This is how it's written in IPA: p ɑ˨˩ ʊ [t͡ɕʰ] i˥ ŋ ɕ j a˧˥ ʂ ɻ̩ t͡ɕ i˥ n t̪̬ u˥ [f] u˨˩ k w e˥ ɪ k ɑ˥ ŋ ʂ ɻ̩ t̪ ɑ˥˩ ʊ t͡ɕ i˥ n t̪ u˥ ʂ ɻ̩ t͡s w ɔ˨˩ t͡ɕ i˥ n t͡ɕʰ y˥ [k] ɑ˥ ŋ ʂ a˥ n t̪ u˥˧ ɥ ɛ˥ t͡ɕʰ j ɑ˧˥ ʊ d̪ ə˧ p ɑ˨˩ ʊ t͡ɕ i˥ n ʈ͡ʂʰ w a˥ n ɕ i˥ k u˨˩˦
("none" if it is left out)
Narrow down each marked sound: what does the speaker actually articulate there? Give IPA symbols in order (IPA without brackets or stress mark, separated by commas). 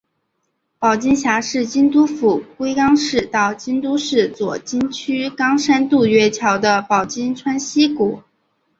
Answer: t͡ɕ, f, k